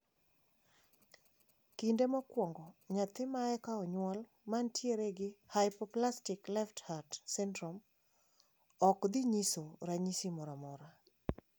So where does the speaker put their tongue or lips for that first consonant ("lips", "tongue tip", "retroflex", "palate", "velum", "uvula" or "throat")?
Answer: velum